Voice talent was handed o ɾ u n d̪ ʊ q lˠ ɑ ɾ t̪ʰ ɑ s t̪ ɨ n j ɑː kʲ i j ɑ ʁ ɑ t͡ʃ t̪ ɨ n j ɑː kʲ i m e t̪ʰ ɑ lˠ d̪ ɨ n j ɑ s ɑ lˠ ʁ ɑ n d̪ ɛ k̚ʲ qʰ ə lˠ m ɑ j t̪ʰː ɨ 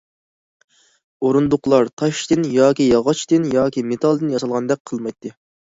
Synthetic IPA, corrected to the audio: o ɾ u n d̪ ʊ q lˠ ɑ ɾ t̪ʰ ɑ ʃ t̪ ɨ n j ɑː kʲ i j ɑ ʁ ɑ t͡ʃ t̪ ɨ n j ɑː kʲ i m e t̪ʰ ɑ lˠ d̪ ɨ n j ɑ s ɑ lˠ ʁ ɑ n d̪ ɛ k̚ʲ qʰ ə lˠ m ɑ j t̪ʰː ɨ